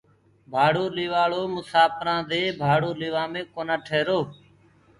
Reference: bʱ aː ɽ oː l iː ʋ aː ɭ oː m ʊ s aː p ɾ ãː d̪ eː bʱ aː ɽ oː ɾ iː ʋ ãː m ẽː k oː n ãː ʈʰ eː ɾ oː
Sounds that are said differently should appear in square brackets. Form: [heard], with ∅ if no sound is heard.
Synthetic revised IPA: bʱ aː ɽ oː l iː ʋ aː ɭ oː m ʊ s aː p ɾ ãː d̪ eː bʱ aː ɽ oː [l] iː ʋ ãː m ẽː k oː n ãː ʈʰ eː ɾ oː